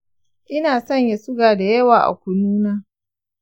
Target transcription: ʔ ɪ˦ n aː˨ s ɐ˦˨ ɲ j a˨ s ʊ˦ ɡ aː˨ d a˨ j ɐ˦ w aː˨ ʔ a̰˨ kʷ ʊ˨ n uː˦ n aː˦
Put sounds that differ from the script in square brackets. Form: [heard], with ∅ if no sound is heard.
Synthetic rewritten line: ʔ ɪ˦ n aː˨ s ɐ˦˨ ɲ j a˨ s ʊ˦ ɡ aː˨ d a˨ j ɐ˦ w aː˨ ʔ a̰˨ kʷ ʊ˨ n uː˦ n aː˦